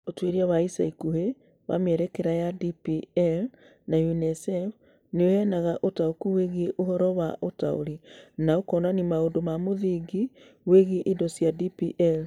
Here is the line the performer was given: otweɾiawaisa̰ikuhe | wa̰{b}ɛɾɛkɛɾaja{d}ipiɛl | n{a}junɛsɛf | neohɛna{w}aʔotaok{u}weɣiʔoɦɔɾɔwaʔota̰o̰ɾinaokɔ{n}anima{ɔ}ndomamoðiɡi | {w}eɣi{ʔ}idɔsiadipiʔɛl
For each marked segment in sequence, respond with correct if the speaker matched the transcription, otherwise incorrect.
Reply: incorrect, correct, correct, incorrect, correct, correct, incorrect, correct, correct

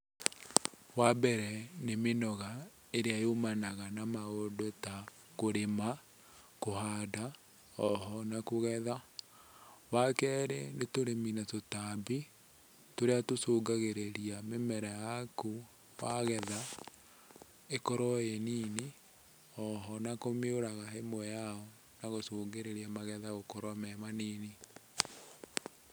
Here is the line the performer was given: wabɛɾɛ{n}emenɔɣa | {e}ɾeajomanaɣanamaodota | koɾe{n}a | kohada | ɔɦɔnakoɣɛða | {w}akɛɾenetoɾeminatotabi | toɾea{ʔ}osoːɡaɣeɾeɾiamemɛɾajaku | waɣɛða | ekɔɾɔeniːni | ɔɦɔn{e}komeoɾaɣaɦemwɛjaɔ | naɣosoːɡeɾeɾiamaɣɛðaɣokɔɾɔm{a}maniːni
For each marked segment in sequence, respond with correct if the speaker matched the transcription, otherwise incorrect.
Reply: correct, correct, incorrect, correct, incorrect, incorrect, incorrect

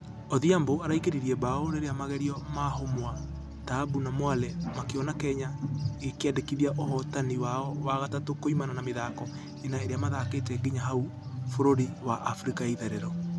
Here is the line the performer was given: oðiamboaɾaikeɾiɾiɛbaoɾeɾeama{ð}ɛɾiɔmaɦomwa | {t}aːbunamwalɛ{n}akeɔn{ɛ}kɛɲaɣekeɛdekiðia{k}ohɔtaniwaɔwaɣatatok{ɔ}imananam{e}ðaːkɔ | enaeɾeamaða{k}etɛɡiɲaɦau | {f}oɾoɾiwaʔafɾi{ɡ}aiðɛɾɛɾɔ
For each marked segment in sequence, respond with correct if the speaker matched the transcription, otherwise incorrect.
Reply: incorrect, correct, incorrect, incorrect, incorrect, incorrect, correct, correct, correct, incorrect

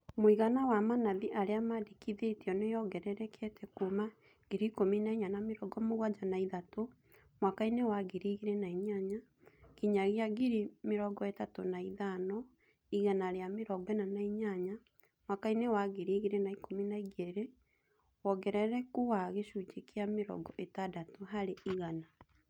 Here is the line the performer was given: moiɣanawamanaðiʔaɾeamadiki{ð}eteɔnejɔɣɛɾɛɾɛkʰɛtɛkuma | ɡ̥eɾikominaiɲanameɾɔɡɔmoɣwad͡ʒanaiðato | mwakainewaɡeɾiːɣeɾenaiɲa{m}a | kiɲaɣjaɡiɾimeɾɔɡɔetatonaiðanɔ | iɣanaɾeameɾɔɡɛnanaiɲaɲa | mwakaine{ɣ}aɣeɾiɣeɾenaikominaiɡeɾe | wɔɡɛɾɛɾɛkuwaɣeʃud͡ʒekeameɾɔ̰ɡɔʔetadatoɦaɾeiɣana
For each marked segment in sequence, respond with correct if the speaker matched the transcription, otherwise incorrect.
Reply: correct, incorrect, incorrect

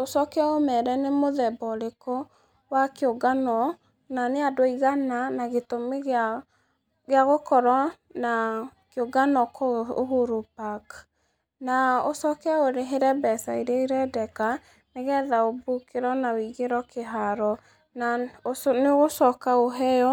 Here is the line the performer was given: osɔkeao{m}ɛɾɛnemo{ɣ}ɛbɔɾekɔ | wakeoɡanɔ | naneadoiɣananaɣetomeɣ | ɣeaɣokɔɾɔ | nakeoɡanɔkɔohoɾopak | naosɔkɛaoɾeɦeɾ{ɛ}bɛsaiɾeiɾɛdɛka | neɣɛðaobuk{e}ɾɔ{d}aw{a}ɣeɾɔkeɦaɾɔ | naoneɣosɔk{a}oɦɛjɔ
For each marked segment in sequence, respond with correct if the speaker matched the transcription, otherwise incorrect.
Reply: correct, incorrect, correct, correct, incorrect, incorrect, correct

